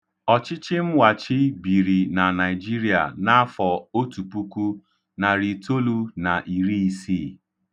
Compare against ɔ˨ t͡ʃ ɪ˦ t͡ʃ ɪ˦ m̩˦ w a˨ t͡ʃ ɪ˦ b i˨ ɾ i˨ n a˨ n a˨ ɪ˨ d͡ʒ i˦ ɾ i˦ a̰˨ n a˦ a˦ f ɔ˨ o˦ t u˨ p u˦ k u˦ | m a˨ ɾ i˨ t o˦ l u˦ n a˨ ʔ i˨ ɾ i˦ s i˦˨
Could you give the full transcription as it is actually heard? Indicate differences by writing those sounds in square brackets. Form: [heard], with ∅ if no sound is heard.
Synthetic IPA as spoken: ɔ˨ t͡ʃ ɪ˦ t͡ʃ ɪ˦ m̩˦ w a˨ t͡ʃ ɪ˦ b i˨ ɾ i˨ n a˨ n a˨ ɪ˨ d͡ʒ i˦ ɾ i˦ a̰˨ n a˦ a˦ f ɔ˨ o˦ t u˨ p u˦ k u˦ | [n] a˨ ɾ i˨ t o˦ l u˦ n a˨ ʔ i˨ ɾ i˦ s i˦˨